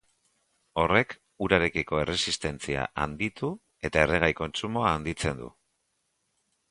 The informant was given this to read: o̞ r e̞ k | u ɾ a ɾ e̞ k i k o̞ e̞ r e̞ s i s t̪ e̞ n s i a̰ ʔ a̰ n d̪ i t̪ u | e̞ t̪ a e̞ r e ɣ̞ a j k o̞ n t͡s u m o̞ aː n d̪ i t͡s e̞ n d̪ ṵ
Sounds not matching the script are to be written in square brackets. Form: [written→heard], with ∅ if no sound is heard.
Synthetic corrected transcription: o̞ r e̞ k | u ɾ a ɾ e̞ k i k o̞ e̞ r e̞ s i s t̪ e̞ n [s→t͡s] i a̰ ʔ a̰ n d̪ i t̪ u | e̞ t̪ a e̞ r e ɣ̞ a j k o̞ n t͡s u m o̞ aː n d̪ i t͡s e̞ n d̪ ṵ